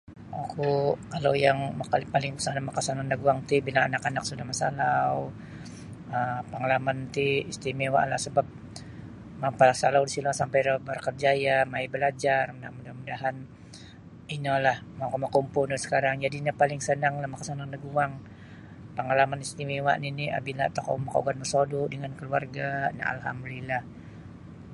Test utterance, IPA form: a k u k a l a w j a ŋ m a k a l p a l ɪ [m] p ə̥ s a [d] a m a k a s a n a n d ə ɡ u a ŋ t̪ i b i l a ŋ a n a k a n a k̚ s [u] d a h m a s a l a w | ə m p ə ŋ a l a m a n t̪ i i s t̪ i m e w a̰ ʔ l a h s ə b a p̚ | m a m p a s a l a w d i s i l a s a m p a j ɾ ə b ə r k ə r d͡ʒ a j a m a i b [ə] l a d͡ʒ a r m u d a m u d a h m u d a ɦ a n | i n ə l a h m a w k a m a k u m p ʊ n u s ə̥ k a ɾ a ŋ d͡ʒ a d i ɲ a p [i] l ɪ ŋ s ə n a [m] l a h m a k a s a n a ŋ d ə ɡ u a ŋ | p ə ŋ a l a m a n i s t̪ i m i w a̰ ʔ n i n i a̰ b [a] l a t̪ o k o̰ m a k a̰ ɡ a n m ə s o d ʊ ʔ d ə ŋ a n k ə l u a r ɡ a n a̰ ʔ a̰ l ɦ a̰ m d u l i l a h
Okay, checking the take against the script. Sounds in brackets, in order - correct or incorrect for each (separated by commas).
incorrect, incorrect, correct, correct, incorrect, incorrect, incorrect